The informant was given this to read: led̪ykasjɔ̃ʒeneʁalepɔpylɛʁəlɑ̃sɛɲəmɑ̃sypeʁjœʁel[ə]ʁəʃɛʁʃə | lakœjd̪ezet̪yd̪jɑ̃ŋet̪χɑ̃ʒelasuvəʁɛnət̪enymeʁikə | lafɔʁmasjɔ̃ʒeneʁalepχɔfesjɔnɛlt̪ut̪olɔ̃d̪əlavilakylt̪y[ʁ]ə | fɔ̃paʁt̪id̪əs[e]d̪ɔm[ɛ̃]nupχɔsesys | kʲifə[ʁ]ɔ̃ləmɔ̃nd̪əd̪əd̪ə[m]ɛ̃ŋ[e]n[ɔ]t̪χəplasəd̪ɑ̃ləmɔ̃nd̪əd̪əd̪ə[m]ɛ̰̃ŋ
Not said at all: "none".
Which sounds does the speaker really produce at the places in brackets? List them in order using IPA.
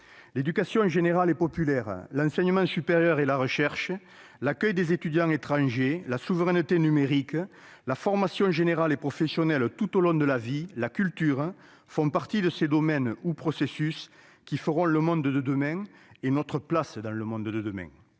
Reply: a, ʁ, e, ɛ, ʁ, m, e, ɔ, m

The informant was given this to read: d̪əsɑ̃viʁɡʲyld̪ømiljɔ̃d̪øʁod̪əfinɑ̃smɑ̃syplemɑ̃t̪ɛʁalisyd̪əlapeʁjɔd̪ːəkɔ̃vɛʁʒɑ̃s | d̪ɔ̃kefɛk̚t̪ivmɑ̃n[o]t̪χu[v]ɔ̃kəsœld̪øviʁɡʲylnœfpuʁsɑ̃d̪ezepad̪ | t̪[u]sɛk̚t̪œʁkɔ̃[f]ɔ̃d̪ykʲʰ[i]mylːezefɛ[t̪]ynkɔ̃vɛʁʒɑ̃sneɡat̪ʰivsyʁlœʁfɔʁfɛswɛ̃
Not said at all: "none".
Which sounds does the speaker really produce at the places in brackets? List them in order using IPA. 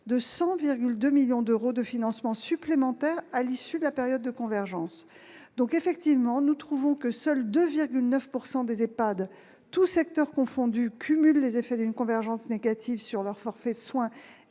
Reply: u, v, u, f, y, d̪

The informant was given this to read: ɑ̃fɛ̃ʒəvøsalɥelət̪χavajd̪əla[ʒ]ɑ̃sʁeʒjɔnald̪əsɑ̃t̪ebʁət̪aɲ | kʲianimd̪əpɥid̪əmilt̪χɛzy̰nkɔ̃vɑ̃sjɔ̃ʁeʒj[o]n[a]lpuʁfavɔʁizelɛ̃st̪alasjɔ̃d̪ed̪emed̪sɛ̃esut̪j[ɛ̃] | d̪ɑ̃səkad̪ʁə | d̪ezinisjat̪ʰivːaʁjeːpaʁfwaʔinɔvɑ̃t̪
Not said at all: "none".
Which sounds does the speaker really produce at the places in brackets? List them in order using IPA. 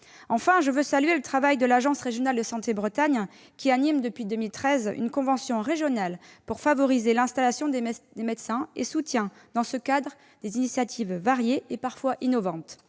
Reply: ʒ, ɔ, a, ɛ̃

